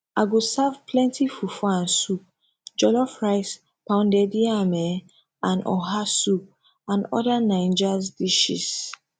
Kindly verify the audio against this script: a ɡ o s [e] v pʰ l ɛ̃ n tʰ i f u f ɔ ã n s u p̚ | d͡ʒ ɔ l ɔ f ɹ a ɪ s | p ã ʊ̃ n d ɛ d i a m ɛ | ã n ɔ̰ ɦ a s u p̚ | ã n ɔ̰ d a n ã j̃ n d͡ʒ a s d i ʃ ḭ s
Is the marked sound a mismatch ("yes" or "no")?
yes